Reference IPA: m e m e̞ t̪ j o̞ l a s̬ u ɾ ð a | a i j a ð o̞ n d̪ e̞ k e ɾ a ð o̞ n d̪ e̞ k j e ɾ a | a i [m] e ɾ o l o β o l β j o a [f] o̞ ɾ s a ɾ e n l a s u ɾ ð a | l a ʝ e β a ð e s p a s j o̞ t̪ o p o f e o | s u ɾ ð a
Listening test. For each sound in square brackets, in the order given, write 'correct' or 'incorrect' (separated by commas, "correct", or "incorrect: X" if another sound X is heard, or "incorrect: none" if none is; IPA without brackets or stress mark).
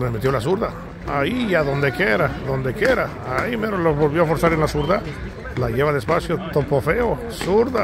correct, correct